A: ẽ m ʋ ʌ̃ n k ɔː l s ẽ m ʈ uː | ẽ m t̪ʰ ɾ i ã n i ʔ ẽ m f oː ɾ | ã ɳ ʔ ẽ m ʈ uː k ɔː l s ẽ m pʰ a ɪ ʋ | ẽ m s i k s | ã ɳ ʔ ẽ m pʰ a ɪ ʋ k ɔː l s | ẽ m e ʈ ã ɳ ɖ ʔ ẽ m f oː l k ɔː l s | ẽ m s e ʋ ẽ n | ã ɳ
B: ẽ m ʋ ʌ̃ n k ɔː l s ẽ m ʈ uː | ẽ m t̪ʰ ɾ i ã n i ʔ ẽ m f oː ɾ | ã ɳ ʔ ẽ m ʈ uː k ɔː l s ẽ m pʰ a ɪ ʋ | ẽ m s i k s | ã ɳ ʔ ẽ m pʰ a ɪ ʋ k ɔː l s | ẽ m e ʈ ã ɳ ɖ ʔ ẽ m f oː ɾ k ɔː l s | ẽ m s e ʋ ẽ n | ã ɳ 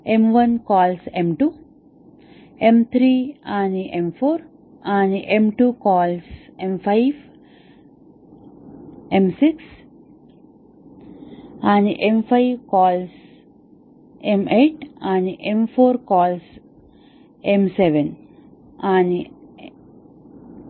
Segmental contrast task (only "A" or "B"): B